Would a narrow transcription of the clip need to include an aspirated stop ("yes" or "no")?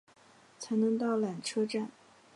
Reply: yes